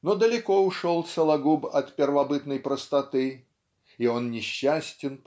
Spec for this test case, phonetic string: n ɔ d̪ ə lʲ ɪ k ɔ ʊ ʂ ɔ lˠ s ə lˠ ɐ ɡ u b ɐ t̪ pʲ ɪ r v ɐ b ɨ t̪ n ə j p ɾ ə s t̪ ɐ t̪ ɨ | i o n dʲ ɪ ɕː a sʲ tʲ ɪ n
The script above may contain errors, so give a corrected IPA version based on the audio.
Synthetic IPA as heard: n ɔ d̪ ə lʲ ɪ k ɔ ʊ ʂ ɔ lˠ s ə lˠ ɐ ɡ u b ɐ t̪ pʲ ɪ r v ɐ b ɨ t̪ n ə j p ɾ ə s t̪ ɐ t̪ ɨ | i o n nʲ ɪ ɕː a sʲ tʲ ɪ n

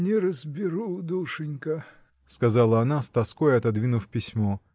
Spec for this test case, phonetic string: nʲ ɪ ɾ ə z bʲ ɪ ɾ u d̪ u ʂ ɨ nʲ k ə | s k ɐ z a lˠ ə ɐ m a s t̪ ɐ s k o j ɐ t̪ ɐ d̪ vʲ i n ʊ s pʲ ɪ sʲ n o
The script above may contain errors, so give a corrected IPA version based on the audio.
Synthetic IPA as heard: nʲ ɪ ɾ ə z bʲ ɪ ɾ u d̪ u ʂ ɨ nʲ k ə | s k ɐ z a lˠ ə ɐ n a s t̪ ɐ s k o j ɐ t̪ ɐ d̪ vʲ i n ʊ f pʲ ɪ sʲ m o

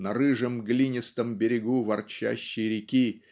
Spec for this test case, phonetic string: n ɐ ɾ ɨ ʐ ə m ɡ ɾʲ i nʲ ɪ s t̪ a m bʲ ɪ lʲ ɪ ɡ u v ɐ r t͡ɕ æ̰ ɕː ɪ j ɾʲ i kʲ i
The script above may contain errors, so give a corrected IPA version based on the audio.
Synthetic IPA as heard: n ɐ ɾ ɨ ʐ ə m ɡ lʲ i nʲ ɪ s t̪ ə m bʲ ɪ ɾʲ ɪ ɡ u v ɐ r t͡ɕ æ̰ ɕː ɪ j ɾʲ ɪ kʲ i

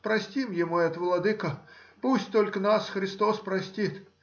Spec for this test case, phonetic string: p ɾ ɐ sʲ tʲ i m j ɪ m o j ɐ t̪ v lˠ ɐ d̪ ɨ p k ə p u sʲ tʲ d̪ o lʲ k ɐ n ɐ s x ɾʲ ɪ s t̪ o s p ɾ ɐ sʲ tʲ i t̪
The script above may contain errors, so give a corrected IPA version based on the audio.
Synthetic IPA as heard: p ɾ ɐ sʲ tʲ i m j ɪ m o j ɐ t̪ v lˠ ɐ d̪ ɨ k ə p u sʲ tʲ t̪ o lʲ k ə n a s x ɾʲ ɪ s t̪ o s p ɾ ɐ sʲ tʲ i t̪

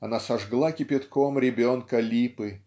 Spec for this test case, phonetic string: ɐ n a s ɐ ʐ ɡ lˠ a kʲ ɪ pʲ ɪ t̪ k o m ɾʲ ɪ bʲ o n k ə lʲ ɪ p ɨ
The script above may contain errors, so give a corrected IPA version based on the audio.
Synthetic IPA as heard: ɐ n a s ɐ ʐ ɡ lˠ a kʲ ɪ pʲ ɪ t̪ k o m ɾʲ ɪ bʲ o n k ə lʲ i p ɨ

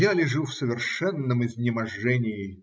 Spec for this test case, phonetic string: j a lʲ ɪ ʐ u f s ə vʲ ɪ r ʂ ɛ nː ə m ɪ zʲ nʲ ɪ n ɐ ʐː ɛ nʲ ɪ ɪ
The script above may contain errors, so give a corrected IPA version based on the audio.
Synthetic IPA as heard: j a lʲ ɪ ʐ u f s ə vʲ ɪ r ʂ ɛ nː ə m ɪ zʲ nʲ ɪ m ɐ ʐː ɛ nʲ ɪ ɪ

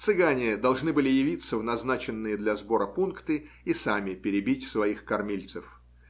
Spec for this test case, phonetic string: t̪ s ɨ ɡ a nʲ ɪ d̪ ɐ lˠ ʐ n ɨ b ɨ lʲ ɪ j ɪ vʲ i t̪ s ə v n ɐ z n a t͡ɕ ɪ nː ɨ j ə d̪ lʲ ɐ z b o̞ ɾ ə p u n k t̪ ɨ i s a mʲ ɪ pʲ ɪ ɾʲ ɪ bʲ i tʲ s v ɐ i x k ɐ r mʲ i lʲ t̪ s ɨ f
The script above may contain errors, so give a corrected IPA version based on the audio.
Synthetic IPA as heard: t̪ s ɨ ɡ a nʲ ɪ d̪ ɐ lˠ ʐ n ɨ b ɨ lʲ ɪ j ɪ vʲ i t̪ s ə v n ɐ z n a t͡ɕ ɪ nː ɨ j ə d̪ lʲ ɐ z b o̞ ɾ ə p u n k t̪ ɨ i s a mʲ ɪ pʲ ɪ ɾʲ ɪ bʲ i tʲ s v ɐ i x k ɐ r mʲ i lʲ t̪ s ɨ f

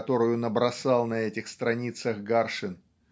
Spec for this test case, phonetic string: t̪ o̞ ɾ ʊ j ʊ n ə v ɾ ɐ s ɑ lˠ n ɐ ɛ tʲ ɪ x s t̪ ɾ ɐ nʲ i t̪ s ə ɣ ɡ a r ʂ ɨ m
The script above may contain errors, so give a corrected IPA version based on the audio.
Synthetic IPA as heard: t̪ o̞ ɾ ʊ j ʊ n ə b ɾ ɐ s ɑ lˠ n ɐ ɛ tʲ ɪ x s t̪ ɾ ɐ nʲ i t̪ s ə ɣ ɡ a r ʂ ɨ n

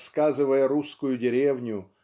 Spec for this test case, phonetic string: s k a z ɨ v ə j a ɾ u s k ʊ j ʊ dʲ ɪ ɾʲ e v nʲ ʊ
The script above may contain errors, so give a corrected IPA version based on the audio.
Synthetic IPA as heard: s k a z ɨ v ə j ə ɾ u s k ʊ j ʊ dʲ ɪ ɾʲ e v nʲ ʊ

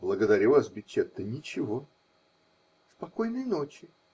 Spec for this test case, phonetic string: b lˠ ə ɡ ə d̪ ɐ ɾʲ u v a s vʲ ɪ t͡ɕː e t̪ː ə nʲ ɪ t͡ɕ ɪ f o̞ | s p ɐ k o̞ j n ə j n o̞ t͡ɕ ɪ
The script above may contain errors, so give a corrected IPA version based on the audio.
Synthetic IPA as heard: b lˠ ə ɡ ə d̪ ɐ ɾʲ u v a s bʲ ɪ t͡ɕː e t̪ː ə nʲ ɪ t͡ɕ ɪ v o̞ | s p ɐ k o̞ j n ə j n o̞ t͡ɕ ɪ

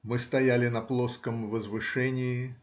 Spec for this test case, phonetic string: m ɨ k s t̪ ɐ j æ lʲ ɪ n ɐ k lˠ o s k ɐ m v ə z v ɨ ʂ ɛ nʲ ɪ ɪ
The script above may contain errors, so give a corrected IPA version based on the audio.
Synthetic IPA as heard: m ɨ s t̪ ɐ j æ lʲ ɪ n ɐ p lˠ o s k ə m v ə z v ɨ ʂ ɛ nʲ ɪ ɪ

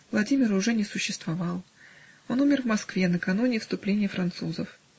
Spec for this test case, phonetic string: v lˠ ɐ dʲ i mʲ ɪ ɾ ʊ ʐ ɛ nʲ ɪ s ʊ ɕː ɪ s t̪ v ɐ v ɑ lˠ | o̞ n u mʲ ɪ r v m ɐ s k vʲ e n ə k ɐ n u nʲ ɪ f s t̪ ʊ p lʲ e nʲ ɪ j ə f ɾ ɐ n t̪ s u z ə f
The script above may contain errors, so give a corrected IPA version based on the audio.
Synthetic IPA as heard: v lˠ ɐ dʲ i mʲ ɪ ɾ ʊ ʐ ɛ nʲ ɪ s ʊ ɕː ɪ s t̪ v ɐ v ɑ lˠ | o̞ n u mʲ ɪ r v m ɐ s k vʲ e n ə k ɐ n u nʲ ɪ f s t̪ ʊ p lʲ e nʲ ɪ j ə f ɾ ɐ n t̪ s u z ə f

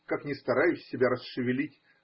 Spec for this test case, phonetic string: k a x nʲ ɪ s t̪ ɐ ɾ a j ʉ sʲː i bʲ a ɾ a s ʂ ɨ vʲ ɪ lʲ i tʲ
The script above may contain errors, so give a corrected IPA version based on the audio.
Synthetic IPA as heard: k a k nʲ ɪ s t̪ ɐ ɾ a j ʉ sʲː ɪ bʲ a ɾ ə s ʂ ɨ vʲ ɪ lʲ i tʲ

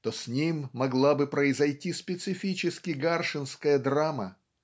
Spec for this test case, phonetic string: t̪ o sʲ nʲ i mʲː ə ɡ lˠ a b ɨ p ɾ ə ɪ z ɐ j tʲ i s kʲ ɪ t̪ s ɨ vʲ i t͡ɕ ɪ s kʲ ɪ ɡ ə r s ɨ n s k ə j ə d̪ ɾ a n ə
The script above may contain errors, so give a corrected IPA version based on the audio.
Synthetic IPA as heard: t̪ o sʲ nʲ i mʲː ɐ ɡ lˠ a b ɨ p ɾ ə ɪ z ɐ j tʲ i s pʲ ɪ t̪ s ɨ fʲ i t͡ɕ ɪ s kʲ ɪ ɡ a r ʂ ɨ n s k ə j ə d̪ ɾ a m ə

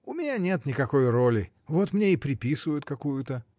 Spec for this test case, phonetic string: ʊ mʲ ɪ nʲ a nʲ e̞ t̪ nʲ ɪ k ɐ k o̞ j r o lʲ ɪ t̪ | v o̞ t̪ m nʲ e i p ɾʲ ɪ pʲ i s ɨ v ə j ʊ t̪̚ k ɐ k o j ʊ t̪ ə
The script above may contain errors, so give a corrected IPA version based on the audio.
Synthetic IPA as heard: ʊ mʲ ɪ nʲ a nʲ e̞ t̪ nʲ ɪ k ɐ k o̞ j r o lʲ ɪ | v o̞ t̪ m nʲ e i p ɾʲ ɪ pʲ i s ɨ v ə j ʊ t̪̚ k ɐ k u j ʊ t̪ ə

